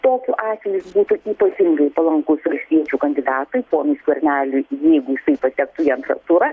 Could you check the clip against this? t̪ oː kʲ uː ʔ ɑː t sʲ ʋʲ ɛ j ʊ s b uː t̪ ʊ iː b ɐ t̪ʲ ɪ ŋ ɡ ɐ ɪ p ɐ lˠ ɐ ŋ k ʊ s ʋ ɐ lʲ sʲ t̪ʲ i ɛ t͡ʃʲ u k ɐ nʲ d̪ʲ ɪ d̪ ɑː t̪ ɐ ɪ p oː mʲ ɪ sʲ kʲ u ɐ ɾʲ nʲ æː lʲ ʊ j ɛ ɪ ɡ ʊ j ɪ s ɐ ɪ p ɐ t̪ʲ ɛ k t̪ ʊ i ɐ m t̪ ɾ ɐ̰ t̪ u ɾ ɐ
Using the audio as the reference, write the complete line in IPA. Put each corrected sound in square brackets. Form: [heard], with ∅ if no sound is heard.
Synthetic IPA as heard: t̪ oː kʲ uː ʔ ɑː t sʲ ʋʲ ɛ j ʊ s b uː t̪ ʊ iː [p] ɐ t̪ʲ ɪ ŋ ɡ ɐ ɪ p ɐ lˠ ɐ ŋ k ʊ s ʋ ɐ lʲ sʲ t̪ʲ i ɛ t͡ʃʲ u k ɐ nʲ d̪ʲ ɪ d̪ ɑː t̪ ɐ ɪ p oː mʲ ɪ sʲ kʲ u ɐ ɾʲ nʲ æː lʲ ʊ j ɛ ɪ ɡ ʊ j ɪ s ɐ ɪ p ɐ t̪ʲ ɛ k t̪ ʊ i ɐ [n] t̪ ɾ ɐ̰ t̪ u ɾ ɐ

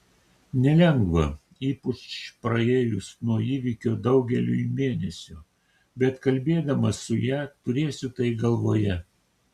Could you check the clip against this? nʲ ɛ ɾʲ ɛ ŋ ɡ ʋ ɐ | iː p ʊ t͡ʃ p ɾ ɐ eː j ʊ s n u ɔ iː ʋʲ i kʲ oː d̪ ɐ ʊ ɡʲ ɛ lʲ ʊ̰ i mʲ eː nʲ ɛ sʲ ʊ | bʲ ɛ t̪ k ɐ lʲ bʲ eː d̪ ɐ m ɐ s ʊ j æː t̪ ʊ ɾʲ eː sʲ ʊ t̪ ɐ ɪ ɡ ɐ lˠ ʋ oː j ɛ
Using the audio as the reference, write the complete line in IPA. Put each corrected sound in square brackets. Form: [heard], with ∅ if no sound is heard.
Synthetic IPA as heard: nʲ ɛ [lʲ] ɛ ŋ ɡ ʋ ɐ | iː p ʊ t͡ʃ p ɾ ɐ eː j ʊ s n u ɔ iː ʋʲ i kʲ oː d̪ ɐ ʊ ɡʲ ɛ lʲ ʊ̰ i mʲ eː nʲ ɛ sʲ ʊ | bʲ ɛ t̪ k ɐ lʲ bʲ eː d̪ ɐ m ɐ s ʊ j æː t̪ ʊ ɾʲ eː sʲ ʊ t̪ ɐ ɪ ɡ ɐ lˠ ʋ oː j ɛ

